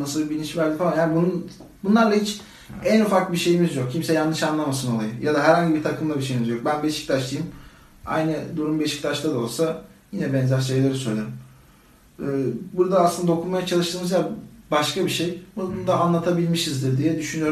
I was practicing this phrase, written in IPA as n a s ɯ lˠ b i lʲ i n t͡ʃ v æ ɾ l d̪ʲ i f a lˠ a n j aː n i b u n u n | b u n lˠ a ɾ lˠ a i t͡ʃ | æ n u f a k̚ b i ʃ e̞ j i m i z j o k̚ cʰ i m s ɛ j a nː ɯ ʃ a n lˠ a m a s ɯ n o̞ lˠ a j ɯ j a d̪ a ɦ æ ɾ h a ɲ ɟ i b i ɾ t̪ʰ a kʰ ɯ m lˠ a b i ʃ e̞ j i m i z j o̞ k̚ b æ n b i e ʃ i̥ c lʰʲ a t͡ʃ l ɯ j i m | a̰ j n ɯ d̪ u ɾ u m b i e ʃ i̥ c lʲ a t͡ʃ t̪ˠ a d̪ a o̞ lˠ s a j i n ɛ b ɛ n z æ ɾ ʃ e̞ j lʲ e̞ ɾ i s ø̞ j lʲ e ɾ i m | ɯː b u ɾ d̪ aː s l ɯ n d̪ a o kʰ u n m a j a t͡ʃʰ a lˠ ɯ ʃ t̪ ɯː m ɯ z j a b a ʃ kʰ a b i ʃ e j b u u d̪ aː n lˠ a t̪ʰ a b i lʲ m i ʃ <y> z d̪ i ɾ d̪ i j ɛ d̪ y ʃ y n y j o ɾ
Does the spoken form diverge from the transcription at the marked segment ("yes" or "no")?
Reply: yes